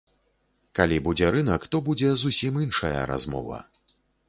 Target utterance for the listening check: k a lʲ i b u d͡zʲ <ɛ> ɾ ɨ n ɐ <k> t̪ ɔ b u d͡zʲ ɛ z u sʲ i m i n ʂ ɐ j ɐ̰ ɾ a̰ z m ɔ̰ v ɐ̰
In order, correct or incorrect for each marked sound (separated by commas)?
correct, correct